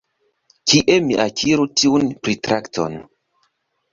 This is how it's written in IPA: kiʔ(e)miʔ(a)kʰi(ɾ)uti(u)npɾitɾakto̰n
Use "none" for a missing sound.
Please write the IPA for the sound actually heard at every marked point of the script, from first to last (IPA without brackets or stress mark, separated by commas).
e, a, ɾ, u